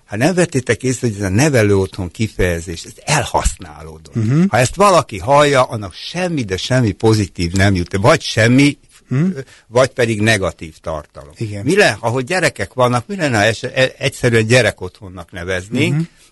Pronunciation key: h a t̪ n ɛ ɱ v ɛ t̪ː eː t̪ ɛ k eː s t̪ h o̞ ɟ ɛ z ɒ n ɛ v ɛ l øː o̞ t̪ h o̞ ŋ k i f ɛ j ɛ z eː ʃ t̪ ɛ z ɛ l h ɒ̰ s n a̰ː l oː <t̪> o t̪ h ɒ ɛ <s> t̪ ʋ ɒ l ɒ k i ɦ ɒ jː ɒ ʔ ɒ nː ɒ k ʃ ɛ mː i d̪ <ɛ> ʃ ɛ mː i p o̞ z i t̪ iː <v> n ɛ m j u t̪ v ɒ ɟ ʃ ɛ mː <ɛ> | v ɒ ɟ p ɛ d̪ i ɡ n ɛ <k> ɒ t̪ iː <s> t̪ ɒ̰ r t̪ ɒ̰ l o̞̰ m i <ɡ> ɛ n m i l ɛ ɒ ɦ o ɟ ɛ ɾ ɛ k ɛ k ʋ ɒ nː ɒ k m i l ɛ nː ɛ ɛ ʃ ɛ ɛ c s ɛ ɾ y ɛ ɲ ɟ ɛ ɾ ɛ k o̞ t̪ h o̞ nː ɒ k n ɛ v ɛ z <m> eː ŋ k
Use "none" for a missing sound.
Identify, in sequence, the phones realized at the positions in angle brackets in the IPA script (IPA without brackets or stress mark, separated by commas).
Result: d̪, s, ɛ, v, i, ɡ, f, ɡ, n